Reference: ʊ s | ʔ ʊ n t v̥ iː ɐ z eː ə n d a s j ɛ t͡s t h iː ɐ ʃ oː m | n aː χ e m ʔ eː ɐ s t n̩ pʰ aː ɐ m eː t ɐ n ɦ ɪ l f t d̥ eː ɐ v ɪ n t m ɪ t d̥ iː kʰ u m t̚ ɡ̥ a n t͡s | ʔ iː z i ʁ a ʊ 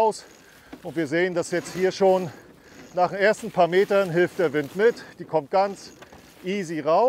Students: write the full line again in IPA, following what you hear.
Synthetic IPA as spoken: ʊ s | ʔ ʊ n t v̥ iː ɐ z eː ə n d a s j ɛ t͡s t h iː ɐ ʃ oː n | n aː χ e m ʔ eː ɐ s t n̩ pʰ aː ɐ m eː t ɐ n ɦ ɪ l f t d̥ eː ɐ v ɪ n t m ɪ t d̥ iː kʰ ɔ m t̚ ɡ̥ a n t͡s | ʔ iː z i ʁ a ʊ